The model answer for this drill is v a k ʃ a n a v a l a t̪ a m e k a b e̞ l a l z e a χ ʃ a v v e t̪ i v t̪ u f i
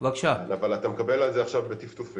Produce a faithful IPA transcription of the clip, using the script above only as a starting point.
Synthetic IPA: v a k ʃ a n a v a l a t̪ a m e k a b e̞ l a l z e a χ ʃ a v b e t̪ i f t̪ u f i